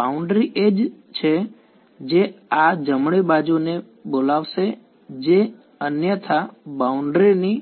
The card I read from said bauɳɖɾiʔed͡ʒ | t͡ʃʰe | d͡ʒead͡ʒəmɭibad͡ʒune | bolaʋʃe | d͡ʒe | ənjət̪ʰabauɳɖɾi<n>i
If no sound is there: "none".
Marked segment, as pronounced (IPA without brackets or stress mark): n